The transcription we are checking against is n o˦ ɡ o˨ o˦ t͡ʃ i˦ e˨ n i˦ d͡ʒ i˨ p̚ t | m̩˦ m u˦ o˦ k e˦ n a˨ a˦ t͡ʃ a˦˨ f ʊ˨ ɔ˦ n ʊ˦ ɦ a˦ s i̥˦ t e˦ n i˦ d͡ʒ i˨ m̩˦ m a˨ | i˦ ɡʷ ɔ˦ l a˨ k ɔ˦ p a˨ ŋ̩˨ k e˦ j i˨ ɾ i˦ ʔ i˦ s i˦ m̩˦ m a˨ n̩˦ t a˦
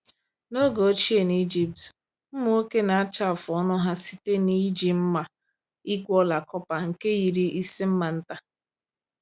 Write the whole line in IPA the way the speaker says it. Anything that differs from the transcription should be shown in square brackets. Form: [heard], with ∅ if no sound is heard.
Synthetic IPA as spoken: n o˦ ɡ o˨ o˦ t͡ʃ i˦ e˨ n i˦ d͡ʒ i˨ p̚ t | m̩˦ m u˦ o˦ k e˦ n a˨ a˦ t͡ʃ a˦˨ f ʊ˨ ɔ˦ n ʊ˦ ɦ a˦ s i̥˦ t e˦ n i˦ d͡ʒ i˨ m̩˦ m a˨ | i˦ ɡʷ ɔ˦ l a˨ k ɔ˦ p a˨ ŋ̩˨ k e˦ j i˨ ɾ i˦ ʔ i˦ s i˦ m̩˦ m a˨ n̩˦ t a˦